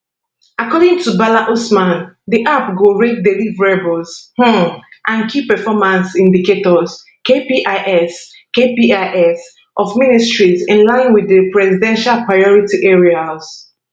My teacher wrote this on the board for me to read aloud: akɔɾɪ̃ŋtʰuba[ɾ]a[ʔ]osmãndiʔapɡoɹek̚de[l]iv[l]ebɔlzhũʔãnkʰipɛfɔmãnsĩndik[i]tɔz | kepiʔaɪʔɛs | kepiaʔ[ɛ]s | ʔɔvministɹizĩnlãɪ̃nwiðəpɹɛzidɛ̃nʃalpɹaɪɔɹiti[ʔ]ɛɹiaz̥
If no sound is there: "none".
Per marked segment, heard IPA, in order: l, ʔ, l, ɹ, e, ɛ, ʔ

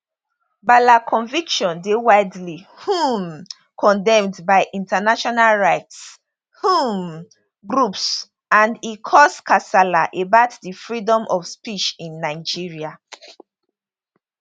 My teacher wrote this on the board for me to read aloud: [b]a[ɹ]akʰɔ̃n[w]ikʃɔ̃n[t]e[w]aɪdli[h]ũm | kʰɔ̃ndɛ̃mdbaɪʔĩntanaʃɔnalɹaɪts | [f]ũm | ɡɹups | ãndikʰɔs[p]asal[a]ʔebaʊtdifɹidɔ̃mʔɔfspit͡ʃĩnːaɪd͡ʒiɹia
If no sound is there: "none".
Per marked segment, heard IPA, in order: b, l, v, d, w, h, h, k, a

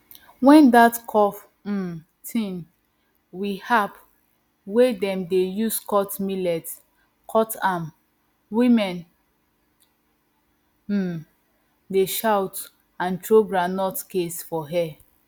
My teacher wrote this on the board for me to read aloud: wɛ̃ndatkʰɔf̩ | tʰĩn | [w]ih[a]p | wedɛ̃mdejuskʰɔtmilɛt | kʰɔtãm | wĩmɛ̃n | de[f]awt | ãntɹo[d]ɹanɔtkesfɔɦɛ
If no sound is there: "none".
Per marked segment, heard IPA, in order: w, a, ʃ, ɡ

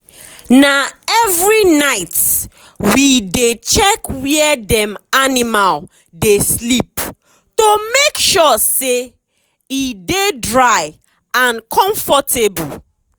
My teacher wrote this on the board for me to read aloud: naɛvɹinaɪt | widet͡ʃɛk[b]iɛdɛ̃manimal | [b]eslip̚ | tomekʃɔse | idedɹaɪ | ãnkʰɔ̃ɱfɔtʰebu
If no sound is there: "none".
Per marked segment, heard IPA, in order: w, d

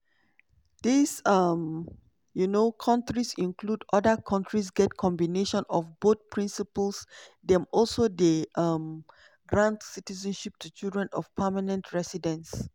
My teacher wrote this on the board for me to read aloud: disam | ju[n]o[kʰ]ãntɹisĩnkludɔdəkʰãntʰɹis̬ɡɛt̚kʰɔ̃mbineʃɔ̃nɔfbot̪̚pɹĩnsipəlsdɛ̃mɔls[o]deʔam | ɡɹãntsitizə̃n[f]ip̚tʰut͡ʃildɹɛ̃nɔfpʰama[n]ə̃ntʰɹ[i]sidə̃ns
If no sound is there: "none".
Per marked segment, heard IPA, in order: n, kʰ, o, ʃ, n, ɛ

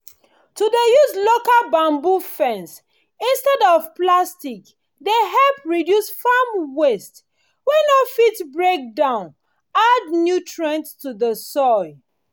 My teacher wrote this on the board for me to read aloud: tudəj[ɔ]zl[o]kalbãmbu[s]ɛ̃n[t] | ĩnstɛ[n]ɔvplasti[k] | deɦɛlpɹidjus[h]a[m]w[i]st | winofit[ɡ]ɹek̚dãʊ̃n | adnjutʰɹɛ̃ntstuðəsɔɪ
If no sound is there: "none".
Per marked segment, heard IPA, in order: u, o, f, s, d, k, f, m, e, b

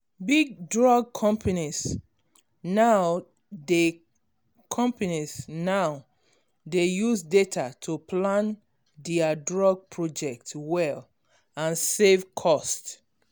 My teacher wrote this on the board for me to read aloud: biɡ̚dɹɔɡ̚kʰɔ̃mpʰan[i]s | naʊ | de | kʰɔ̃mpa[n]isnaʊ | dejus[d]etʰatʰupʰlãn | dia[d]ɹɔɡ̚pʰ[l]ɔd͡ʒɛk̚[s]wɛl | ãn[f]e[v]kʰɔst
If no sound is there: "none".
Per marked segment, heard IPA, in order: i, n, d, d, ɹ, t, s, v

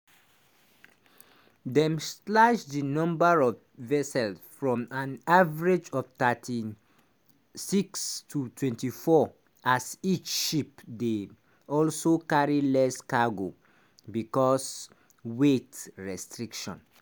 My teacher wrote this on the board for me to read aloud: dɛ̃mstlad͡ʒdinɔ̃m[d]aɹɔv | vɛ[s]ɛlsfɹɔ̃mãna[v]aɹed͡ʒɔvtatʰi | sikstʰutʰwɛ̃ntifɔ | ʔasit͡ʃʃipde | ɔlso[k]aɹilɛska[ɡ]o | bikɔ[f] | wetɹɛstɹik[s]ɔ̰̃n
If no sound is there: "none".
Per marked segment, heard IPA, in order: b, s, v, k, ɡ, s, ʃ

